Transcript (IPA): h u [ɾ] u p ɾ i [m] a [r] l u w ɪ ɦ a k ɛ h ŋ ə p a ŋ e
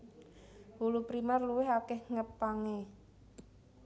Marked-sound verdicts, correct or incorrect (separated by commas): incorrect, correct, correct